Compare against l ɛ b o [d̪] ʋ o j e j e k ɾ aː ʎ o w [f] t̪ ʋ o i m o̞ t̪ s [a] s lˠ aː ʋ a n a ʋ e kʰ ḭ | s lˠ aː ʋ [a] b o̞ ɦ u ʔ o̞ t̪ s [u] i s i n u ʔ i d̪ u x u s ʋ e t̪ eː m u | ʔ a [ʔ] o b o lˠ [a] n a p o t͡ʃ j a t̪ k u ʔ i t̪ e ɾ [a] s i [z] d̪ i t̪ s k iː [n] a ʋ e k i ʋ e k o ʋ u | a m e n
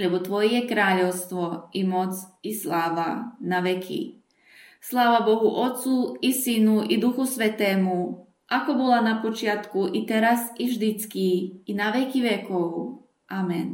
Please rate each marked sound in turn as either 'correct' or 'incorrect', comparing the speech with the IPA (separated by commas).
incorrect, incorrect, incorrect, correct, correct, incorrect, correct, correct, incorrect, correct